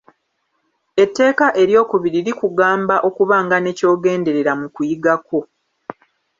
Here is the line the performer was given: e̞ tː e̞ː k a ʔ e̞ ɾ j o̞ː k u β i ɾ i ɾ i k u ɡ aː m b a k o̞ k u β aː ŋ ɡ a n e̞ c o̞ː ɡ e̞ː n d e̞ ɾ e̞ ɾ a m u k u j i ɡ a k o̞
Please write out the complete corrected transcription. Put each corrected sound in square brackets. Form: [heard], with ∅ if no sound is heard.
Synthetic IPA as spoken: e̞ tː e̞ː k a ʔ e̞ ɾ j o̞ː k u β i ɾ i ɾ i k u ɡ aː m b a [ʔ] o̞ k u β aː ŋ ɡ a n e̞ c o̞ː ɡ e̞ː n d e̞ ɾ e̞ ɾ a m u k u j i ɡ a k o̞

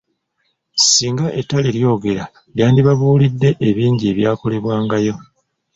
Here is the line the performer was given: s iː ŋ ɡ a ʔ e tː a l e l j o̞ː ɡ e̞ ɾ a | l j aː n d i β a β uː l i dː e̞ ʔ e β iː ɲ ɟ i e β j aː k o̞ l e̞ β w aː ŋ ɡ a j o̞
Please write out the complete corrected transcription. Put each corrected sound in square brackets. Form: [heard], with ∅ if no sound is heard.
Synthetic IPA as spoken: s iː ŋ ɡ a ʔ e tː a l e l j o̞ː ɡ e̞ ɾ a | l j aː n d i β a β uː l i dː e̞ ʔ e β iː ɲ ɟ i e β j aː k o̞ l e̞ β w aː ŋ ɡ a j o̞

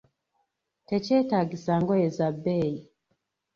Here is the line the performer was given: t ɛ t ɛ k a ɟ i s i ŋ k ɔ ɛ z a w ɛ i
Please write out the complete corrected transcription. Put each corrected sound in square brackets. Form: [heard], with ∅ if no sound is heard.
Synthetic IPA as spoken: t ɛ [t͡ʃ] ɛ [t] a [ɡ] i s [a] ŋ [ɡ] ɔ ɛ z a [b] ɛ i

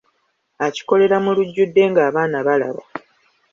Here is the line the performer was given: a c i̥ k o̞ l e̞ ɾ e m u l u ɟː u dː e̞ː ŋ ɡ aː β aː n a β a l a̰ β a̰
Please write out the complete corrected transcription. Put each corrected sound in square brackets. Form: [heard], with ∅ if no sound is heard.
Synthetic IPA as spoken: a c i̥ k o̞ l e̞ ɾ [a] m u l u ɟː u dː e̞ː ŋ ɡ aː β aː n a β a l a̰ β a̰

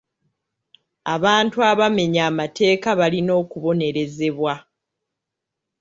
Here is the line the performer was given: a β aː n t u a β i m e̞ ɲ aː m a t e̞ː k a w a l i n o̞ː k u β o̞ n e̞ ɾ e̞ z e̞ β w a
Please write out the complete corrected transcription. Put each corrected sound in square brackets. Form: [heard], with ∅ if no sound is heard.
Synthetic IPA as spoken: a β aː n t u a β [a] m e̞ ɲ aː m a t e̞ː k a [β] a l i n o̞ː k u β o̞ n e̞ ɾ e̞ z e̞ β w a

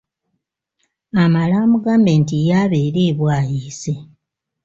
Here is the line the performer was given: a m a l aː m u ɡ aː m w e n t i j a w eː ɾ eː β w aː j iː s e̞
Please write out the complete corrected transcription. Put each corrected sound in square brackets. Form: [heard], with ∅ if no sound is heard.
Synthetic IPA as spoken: a m a l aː m u ɡ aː m [b] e n t i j a [β] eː ɾ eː β w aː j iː s e̞

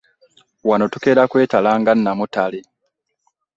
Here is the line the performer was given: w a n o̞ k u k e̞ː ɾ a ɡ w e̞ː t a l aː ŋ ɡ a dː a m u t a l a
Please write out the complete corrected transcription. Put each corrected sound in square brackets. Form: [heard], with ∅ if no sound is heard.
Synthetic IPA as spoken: w a n o̞ [t] u k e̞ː ɾ a [k] w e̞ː t a l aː ŋ ɡ a [nː] a m u t a l [e]

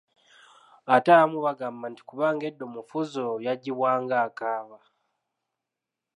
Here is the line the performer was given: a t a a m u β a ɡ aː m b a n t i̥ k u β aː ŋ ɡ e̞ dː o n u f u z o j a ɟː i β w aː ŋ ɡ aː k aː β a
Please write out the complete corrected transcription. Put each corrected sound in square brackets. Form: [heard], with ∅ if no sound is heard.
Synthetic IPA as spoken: a t a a m u β a ɡ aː m b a n t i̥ k u β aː ŋ ɡ e̞ dː o [m] u f u z o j a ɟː i β w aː ŋ ɡ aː k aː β a

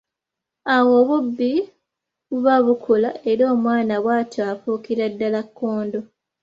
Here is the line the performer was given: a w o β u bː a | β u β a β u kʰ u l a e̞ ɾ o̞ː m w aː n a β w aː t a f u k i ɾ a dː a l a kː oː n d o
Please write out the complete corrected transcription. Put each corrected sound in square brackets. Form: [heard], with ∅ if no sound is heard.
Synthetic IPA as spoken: a w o β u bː [i] | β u β a β u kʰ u l a e̞ ɾ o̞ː m w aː n a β w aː t a f u k i ɾ a dː a l a kː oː n d o

